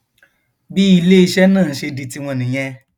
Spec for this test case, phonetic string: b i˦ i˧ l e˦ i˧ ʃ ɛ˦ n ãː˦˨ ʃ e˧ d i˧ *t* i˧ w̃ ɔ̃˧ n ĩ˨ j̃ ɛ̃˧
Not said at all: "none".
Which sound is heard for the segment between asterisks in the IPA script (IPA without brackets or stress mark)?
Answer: t